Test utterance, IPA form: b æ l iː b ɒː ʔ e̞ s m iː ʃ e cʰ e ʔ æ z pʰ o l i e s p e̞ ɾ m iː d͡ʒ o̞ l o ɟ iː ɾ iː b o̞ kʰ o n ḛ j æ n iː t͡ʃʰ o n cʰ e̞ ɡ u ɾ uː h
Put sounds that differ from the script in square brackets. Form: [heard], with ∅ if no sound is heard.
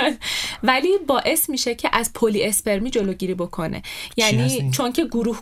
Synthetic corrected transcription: [v] æ l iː b ɒː ʔ e̞ s m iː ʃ e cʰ e ʔ æ z pʰ o l i e s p e̞ ɾ m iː d͡ʒ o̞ l o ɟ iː ɾ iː b o̞ kʰ o n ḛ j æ n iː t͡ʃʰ o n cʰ e̞ ɡ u ɾ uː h